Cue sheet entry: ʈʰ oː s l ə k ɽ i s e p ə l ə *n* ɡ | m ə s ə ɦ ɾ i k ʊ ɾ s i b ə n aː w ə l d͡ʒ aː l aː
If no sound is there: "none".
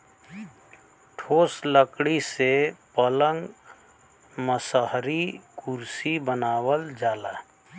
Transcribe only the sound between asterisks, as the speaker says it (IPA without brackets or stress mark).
ŋ